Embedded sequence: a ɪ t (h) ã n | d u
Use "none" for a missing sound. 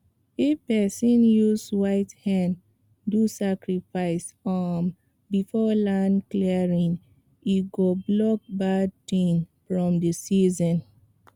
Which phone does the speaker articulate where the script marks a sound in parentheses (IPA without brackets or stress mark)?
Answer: h